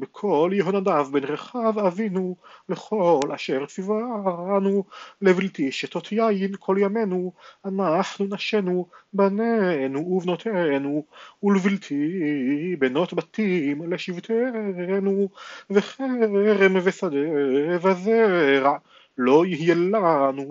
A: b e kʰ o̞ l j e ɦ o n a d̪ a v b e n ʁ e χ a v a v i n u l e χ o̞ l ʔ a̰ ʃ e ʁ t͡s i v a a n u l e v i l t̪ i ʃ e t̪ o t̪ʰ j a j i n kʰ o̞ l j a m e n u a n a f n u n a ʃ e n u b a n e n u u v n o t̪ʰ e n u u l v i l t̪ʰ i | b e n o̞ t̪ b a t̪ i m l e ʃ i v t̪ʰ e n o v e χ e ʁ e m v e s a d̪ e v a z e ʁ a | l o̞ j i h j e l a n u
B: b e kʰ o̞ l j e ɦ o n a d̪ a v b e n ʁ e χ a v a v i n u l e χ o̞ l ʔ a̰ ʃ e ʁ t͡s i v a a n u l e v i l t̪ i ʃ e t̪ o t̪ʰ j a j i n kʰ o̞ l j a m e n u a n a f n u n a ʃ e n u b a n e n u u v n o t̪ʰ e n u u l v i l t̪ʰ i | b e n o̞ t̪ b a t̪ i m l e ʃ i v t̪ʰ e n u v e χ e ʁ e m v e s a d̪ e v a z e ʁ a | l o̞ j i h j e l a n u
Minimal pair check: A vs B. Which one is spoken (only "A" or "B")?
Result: B